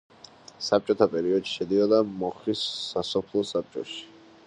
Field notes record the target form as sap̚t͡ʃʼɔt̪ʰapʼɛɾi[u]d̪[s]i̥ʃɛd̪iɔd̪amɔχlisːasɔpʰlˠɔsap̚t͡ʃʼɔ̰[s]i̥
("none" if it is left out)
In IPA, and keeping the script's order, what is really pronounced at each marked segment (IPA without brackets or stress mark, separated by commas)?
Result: ɔ, ʃ, ʃ